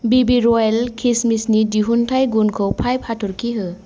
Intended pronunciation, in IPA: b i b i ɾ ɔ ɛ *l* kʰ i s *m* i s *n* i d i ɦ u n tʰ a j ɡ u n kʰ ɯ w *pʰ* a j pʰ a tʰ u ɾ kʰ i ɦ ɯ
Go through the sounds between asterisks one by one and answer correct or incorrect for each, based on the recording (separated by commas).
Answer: correct, correct, correct, correct